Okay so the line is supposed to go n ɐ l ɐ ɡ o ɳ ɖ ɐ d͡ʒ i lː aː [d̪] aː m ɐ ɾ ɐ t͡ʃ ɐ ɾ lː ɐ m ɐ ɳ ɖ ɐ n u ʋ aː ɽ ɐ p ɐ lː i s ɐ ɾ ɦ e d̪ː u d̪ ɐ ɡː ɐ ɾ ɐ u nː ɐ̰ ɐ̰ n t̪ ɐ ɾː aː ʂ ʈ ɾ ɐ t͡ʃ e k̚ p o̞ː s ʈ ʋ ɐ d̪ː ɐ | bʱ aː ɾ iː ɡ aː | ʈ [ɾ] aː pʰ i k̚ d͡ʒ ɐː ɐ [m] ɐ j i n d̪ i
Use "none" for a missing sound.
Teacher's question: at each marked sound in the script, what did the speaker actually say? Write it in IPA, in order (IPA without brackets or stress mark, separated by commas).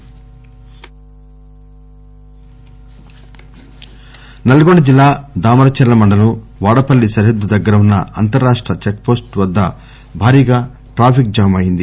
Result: d̪, ɾ, m